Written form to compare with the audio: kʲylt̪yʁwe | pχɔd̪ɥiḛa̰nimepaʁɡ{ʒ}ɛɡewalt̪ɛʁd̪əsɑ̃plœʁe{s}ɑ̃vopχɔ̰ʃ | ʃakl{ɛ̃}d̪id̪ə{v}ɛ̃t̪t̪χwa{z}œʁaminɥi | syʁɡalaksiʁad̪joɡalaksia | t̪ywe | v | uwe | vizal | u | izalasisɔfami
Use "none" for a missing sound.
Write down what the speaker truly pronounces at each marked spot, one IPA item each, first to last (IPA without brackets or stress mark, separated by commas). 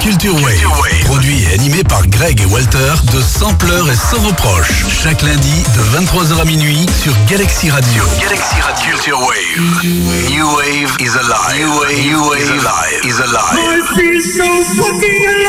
ʁ, s, ɛ̃, v, z